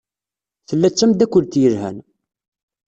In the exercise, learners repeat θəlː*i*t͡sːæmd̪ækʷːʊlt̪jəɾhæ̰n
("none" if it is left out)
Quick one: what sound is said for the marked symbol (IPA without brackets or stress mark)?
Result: æ